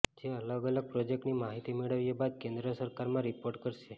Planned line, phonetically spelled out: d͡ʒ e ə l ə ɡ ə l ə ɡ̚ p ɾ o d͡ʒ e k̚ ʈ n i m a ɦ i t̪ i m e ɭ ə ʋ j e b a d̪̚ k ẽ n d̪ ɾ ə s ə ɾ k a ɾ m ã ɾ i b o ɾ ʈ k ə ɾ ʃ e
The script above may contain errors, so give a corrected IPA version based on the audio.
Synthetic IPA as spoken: d͡ʒ e ə l ə ɡ ə l ə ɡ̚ p ɾ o d͡ʒ e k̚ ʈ n i m a ɦ i t̪ i m e ɭ ə ʋ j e b a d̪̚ k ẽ n d̪ ɾ ə s ə ɾ k a ɾ m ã ɾ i p o ɾ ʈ k ə ɾ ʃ e